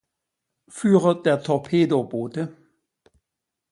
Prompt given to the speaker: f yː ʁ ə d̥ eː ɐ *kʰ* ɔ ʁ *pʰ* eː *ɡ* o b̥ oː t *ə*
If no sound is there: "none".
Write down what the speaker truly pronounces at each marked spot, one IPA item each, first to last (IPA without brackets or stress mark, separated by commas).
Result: tʰ, pʰ, d, ə